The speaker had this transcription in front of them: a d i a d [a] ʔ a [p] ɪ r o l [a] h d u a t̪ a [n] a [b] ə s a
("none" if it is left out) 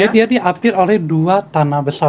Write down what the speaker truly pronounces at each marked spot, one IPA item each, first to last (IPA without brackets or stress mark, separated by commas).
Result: i, p, ɛ, n, b